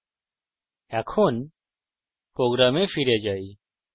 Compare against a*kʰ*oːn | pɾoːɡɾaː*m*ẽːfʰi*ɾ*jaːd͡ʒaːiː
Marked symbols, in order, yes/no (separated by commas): yes, yes, yes